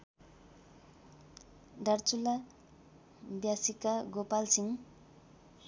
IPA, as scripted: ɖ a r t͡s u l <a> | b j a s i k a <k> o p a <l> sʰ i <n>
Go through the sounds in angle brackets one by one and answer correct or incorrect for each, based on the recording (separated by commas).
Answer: correct, incorrect, correct, incorrect